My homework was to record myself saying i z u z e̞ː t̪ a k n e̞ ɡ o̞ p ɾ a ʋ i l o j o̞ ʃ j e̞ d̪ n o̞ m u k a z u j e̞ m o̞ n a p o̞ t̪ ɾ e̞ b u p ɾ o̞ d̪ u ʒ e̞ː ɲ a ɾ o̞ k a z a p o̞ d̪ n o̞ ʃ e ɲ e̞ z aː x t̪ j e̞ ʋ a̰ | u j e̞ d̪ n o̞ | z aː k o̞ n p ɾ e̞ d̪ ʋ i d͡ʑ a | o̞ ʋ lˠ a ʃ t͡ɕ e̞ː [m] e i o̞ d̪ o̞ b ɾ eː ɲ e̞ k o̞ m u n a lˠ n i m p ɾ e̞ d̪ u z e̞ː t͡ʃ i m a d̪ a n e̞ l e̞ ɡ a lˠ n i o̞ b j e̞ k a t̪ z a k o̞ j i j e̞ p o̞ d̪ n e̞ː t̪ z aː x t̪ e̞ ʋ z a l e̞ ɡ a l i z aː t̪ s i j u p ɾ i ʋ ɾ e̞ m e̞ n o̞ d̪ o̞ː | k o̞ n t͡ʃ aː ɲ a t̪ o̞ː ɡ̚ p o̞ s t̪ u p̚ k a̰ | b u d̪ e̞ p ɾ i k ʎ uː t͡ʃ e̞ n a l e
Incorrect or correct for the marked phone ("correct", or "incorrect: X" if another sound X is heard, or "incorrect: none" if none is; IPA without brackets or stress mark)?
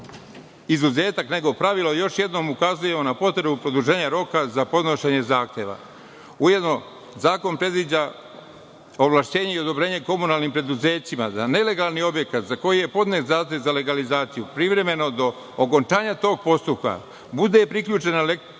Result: incorrect: ɲ